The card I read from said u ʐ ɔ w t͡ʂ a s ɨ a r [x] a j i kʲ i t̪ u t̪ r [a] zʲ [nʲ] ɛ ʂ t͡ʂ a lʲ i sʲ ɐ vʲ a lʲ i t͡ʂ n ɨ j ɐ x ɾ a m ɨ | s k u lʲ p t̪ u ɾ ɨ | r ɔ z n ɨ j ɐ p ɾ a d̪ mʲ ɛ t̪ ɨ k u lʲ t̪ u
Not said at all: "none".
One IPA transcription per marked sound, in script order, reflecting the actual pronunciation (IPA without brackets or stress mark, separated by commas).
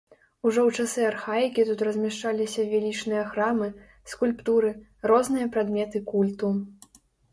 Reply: x, ɐ, mʲ